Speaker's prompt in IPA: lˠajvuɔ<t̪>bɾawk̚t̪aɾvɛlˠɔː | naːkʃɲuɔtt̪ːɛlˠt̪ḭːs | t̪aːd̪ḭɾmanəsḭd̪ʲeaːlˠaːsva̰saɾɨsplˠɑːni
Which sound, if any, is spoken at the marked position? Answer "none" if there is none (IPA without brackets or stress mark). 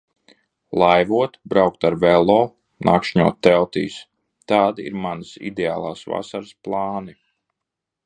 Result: t̪